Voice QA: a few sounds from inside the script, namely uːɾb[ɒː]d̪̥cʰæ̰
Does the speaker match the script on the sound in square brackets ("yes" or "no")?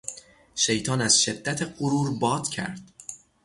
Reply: yes